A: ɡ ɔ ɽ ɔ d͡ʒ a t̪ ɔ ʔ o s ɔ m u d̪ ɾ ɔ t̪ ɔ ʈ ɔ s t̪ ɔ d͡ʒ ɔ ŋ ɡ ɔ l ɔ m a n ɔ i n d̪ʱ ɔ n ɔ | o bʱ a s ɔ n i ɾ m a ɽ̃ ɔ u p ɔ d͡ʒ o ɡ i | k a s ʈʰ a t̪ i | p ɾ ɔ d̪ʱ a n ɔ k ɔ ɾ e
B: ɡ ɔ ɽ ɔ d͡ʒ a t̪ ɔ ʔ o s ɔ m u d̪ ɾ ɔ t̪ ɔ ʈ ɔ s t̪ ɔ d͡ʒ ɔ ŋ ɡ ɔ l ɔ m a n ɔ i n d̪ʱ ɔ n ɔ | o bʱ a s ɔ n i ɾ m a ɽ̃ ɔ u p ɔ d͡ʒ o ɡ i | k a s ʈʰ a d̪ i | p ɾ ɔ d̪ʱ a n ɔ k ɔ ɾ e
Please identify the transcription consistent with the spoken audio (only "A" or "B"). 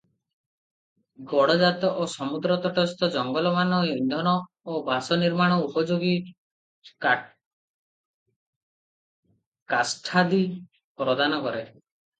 B